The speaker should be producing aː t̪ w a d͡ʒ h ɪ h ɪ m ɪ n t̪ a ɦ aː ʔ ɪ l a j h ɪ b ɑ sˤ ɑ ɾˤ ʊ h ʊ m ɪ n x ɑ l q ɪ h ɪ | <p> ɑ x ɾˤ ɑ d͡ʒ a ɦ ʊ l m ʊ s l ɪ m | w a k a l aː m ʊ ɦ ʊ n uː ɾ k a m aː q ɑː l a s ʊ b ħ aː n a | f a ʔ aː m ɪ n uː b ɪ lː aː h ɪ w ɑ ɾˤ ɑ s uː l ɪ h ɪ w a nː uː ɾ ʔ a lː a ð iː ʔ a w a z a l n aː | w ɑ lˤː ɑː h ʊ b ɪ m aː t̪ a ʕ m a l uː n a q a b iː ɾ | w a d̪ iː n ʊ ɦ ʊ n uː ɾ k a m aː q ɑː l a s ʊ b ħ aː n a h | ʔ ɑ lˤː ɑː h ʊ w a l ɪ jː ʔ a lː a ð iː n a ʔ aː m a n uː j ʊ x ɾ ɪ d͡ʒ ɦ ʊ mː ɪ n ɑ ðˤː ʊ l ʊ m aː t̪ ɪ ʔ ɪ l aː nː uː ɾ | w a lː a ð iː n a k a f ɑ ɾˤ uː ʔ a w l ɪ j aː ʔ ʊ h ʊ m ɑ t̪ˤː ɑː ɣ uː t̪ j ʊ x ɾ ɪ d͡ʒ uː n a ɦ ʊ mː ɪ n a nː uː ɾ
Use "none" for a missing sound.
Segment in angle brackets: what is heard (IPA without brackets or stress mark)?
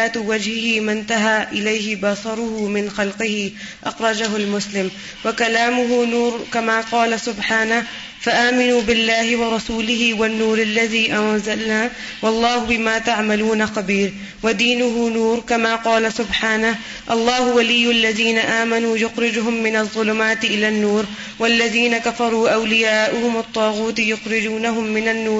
ʔ